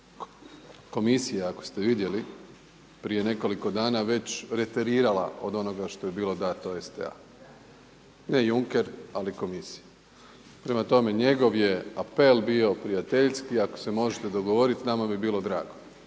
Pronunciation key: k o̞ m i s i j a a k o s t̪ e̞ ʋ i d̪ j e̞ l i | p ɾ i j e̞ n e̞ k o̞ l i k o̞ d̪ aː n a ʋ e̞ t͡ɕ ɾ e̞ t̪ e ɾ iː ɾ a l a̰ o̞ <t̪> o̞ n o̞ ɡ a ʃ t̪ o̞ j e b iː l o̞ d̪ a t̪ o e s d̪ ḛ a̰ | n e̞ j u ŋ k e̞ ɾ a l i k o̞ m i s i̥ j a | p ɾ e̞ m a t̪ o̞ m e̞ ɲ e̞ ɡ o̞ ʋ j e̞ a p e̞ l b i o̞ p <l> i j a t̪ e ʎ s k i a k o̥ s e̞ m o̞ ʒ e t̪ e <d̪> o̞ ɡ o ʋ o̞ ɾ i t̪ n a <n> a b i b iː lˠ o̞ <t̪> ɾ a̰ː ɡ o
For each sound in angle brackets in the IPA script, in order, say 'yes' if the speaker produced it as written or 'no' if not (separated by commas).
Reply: no, no, yes, no, no